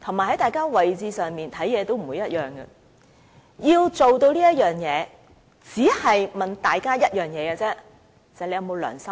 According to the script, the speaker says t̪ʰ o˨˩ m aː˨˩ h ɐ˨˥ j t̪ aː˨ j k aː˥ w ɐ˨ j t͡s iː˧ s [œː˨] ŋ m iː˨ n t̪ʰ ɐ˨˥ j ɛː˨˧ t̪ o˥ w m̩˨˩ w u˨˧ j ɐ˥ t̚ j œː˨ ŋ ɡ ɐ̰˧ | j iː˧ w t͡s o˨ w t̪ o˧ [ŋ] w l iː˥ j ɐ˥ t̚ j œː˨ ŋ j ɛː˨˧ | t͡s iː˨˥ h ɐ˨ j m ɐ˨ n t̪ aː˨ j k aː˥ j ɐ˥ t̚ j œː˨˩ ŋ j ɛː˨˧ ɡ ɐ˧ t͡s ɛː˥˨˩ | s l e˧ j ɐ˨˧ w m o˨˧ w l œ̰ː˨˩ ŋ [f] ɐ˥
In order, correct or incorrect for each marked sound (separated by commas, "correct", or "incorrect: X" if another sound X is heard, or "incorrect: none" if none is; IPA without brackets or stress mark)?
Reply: correct, incorrect: none, incorrect: s